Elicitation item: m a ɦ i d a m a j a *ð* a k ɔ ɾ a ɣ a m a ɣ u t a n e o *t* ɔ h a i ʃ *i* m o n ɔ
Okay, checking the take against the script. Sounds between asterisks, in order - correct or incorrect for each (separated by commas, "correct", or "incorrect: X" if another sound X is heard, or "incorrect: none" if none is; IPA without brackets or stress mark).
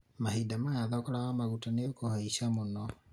correct, incorrect: k, incorrect: a